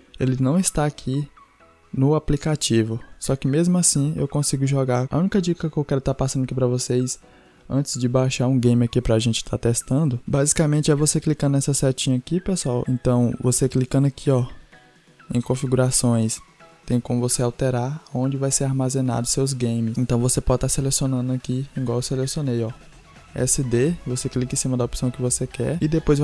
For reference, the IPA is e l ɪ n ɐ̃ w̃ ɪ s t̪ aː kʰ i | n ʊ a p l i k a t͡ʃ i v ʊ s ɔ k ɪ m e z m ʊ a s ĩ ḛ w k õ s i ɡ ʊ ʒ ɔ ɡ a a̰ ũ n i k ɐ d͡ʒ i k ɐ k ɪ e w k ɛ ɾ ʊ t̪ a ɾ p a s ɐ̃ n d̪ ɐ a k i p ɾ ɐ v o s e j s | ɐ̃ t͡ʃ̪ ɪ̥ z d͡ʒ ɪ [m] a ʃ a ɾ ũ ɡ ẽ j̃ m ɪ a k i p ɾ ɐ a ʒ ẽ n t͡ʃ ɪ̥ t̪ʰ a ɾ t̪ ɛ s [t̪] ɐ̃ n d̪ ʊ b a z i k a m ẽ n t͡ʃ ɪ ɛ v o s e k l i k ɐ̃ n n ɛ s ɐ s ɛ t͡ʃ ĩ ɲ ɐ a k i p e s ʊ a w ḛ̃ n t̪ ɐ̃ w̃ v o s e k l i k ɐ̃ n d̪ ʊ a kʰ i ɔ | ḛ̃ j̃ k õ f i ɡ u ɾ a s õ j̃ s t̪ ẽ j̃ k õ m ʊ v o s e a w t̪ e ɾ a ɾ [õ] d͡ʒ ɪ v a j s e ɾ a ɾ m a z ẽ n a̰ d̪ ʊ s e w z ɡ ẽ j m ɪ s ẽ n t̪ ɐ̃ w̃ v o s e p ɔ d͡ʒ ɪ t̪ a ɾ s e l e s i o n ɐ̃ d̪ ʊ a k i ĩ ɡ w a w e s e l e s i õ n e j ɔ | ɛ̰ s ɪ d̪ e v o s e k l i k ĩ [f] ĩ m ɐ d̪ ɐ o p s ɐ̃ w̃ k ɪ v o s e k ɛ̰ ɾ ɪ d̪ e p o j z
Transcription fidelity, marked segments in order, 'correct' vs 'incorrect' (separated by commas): incorrect, correct, correct, incorrect